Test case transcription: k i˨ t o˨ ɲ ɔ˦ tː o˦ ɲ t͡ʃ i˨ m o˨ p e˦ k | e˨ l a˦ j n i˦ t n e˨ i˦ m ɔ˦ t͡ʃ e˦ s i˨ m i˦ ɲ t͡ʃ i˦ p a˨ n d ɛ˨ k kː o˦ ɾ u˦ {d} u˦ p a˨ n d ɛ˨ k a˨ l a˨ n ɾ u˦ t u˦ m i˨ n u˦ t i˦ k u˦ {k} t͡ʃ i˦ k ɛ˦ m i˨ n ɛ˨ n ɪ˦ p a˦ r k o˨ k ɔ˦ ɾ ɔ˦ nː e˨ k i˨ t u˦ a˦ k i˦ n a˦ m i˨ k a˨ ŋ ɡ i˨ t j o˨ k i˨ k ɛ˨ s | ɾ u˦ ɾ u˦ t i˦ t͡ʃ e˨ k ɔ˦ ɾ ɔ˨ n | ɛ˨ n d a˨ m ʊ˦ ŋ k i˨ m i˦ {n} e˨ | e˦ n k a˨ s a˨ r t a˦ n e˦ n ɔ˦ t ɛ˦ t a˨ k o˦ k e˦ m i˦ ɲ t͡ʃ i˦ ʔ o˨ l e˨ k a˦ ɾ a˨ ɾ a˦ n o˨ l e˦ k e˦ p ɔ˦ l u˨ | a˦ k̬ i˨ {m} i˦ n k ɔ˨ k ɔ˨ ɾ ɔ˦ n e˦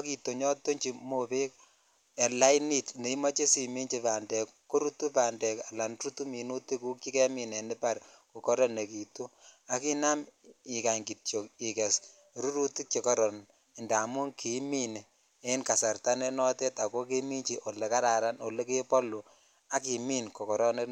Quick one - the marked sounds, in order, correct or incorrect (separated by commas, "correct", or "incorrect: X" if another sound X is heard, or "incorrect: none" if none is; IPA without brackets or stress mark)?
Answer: incorrect: t, correct, correct, correct